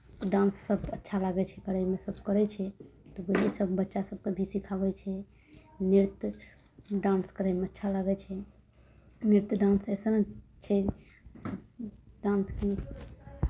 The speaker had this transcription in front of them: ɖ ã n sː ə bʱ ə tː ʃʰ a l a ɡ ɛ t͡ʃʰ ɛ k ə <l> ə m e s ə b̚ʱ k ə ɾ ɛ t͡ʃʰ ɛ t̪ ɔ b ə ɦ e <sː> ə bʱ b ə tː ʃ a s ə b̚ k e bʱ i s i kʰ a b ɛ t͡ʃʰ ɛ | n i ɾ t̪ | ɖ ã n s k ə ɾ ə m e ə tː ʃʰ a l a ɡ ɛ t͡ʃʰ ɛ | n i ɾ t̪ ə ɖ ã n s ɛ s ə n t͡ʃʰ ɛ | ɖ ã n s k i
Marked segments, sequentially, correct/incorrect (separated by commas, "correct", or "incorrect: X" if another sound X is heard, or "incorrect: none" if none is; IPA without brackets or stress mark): incorrect: ɾ, incorrect: s